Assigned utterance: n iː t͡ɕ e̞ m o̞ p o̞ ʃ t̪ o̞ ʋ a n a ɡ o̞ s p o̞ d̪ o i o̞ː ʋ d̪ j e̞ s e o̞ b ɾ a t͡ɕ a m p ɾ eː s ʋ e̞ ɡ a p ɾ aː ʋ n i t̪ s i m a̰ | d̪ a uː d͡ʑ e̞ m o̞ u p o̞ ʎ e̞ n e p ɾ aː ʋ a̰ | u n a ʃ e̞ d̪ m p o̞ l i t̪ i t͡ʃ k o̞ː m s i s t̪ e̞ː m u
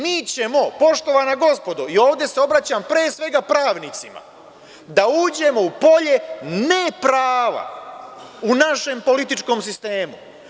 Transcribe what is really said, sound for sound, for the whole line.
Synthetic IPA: m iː t͡ɕ e̞ m o̞ p o̞ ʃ t̪ o̞ ʋ a n a ɡ o̞ s p o̞ d̪ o i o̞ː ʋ d̪ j e̞ s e o̞ b ɾ a t͡ɕ a m p ɾ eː s ʋ e̞ ɡ a p ɾ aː ʋ n i t̪ s i m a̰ | d̪ a uː d͡ʑ e̞ m o̞ u p o̞ ʎ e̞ n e p ɾ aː ʋ a̰ | u n a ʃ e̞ m p o̞ l i t̪ i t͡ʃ k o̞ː m s i s t̪ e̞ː m u